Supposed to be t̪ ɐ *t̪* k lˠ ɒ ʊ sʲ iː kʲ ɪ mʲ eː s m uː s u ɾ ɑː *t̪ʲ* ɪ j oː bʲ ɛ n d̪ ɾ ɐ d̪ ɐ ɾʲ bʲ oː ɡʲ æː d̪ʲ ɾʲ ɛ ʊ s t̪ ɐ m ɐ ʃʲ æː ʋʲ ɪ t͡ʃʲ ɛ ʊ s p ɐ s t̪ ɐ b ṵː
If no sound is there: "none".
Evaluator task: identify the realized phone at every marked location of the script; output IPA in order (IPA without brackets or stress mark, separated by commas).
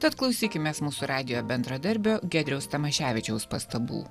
t̪, d̪ʲ